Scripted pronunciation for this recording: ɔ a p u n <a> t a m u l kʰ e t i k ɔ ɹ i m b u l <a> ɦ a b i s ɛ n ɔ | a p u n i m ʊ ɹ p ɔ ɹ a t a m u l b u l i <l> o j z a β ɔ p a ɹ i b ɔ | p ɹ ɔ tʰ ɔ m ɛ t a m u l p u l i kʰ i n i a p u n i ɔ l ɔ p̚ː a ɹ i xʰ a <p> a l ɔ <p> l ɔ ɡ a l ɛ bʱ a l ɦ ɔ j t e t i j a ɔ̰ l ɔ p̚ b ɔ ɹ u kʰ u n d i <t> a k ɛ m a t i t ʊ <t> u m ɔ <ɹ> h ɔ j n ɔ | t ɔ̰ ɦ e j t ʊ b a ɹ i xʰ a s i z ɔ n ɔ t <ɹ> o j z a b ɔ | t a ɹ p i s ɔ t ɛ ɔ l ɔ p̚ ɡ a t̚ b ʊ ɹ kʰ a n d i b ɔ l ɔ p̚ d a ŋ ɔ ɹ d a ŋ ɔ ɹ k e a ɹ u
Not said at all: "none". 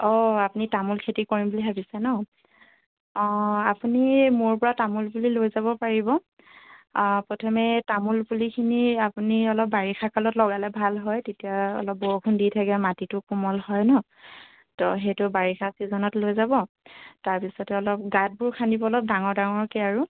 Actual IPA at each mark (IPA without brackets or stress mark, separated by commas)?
i, i, l, k, t, tʰ, k, l, l